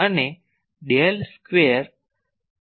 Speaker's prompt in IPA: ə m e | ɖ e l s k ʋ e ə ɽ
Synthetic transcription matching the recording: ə n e | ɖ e l s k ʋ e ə ɾ